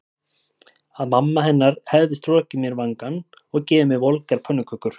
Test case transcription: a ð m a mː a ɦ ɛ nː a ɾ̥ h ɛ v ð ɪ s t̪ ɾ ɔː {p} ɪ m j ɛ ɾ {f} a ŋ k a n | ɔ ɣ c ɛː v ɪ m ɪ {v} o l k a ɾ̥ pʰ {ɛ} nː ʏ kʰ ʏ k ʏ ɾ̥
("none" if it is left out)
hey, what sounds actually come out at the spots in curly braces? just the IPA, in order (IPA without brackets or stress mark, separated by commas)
c, v, v, œ